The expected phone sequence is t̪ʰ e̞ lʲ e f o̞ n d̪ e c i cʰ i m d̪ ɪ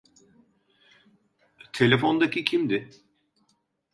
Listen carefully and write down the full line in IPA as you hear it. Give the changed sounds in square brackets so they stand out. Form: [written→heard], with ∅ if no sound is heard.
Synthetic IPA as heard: t̪ʰ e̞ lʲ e f o̞ n d̪ [e→a] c i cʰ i m d̪ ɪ